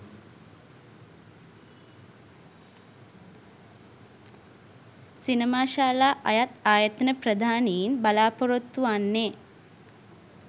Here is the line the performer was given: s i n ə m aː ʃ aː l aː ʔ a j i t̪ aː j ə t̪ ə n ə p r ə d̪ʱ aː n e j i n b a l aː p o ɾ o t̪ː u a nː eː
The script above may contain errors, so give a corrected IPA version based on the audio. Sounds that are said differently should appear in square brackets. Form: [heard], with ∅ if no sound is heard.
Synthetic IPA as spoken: s i n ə m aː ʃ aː l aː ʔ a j [a] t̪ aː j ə t̪ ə n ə p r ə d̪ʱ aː n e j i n b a l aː p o ɾ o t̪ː u a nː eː

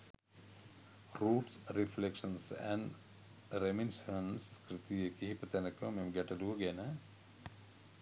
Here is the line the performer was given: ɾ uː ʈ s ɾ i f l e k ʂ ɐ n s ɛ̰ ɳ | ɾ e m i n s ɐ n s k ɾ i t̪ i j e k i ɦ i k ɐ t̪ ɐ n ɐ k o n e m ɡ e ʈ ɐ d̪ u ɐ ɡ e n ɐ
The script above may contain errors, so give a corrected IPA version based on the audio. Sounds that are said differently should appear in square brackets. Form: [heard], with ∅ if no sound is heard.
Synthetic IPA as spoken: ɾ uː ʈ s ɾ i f l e k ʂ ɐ n s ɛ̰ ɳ | ɾ e m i n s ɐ n s k ɾ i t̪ i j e k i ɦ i [p] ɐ t̪ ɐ n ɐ k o [m] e m ɡ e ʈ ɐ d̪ u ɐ ɡ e n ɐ

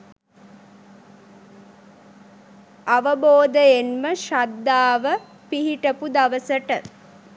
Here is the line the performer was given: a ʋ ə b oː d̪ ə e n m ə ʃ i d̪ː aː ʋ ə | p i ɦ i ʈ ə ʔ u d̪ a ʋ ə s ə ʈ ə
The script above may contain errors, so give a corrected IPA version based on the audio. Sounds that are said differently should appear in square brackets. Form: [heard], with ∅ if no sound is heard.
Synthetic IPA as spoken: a ʋ ə b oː d̪ ə e n m ə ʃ [a] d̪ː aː ʋ ə | p i ɦ i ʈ ə [p] u d̪ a ʋ ə s ə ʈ ə

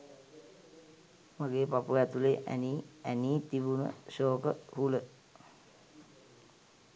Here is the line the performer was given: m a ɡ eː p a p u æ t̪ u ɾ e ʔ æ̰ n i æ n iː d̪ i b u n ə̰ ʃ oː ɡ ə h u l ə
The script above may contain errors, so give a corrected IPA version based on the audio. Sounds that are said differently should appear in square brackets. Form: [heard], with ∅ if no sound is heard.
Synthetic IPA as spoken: m a ɡ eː p a p u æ t̪ u [l] e ʔ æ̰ n i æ n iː [t̪] i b u n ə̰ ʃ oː [k] ə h u l ə

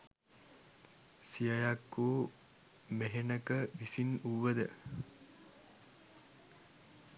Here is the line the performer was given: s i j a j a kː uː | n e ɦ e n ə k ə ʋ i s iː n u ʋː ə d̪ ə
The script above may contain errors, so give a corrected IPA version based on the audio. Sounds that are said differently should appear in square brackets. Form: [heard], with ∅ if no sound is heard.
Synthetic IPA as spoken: s i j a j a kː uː | [m] e ɦ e n ə k ə ʋ i s [i] n u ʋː ə d̪ ə

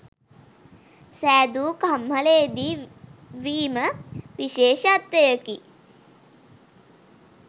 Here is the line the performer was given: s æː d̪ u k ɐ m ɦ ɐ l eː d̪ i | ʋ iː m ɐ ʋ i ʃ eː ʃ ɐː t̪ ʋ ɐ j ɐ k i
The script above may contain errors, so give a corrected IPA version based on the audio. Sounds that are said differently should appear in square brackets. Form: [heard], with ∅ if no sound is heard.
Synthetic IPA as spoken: s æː d̪ u k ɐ m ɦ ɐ l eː d̪ i | ʋ iː m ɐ ʋ i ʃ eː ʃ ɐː t̪ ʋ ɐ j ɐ k i

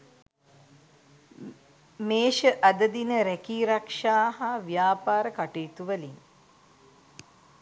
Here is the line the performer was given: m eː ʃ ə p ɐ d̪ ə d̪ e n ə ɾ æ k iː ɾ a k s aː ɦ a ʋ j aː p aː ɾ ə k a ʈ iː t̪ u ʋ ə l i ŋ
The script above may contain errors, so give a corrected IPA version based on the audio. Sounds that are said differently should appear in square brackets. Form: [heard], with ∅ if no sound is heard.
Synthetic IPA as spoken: m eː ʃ ə [ʔ] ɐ d̪ ə d̪ [i] n ə ɾ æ k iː ɾ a k [ʂ] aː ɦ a ʋ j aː p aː ɾ ə k a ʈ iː t̪ u ʋ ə l i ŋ

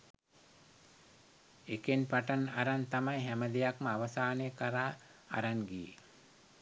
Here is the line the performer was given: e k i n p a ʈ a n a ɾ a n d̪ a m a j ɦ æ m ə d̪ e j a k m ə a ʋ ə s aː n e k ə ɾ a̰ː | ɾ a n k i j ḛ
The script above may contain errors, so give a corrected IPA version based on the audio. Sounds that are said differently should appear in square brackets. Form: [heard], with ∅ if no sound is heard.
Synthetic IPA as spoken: e k [e] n p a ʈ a n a ɾ a n [t̪] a m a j ɦ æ m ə d̪ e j a k m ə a ʋ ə s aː n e k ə ɾ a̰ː | ɾ a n [ɡ] i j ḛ

